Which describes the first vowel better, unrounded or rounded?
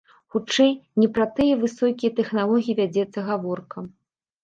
rounded